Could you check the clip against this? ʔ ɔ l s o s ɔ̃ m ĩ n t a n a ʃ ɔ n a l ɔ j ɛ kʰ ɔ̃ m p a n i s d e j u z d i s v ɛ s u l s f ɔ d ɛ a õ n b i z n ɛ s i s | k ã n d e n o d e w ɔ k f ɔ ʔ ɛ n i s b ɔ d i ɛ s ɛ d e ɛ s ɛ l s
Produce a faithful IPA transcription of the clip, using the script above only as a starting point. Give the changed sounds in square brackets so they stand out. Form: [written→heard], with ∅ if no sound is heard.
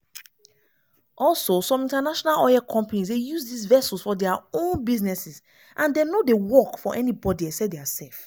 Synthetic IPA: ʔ ɔ l s o s ɔ̃ m ĩ n t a n a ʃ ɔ n a l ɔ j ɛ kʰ ɔ̃ m p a n i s d e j u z d i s v ɛ s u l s f ɔ d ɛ a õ n b i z n ɛ s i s | [k→ʔ] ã n d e n o d e w ɔ k f ɔ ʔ ɛ n i [s→∅] b ɔ d i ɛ s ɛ d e [ɛ→a] s ɛ l [s→f]